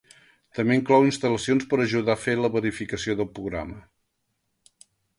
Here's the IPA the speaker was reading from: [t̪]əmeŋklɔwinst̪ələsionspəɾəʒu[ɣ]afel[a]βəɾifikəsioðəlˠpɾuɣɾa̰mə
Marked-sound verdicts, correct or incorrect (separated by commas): correct, incorrect, incorrect